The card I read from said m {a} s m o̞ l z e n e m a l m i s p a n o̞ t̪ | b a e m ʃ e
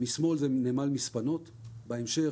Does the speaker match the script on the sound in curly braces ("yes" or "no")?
no